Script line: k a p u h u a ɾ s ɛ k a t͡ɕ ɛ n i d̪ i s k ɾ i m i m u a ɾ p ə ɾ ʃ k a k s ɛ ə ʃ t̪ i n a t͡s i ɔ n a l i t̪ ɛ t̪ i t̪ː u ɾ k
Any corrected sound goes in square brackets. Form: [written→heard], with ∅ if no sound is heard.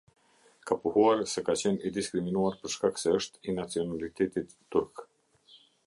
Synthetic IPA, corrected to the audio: k a p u h u a ɾ s ɛ k a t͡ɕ ɛ n i d̪ i s k ɾ i m i [m→n] u a ɾ p ə ɾ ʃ k a k s ɛ ə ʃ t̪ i n a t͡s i ɔ n a l i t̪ ɛ t̪ i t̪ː u ɾ k